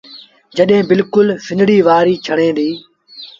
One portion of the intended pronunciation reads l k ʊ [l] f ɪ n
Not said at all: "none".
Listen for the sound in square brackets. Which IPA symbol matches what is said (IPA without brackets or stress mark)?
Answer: l